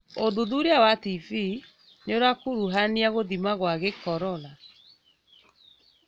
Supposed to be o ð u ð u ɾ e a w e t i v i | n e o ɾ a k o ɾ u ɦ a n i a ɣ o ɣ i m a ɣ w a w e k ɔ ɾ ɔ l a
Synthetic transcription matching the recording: o ð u ð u ɾ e a w a t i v i | n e o ɾ a k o ɾ u ɦ a n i a ɣ o ð i m a ɣ w a ɣ e k ɔ ɾ ɔ l a